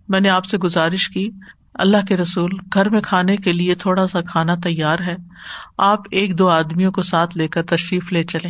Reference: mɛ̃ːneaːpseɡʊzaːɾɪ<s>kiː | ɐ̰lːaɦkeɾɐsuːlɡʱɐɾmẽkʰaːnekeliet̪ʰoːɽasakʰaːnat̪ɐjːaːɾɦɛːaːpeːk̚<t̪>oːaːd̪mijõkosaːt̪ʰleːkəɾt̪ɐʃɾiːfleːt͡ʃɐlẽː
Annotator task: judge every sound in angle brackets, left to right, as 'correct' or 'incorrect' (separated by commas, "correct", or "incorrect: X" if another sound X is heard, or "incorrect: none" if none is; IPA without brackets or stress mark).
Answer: incorrect: ʃ, incorrect: d̪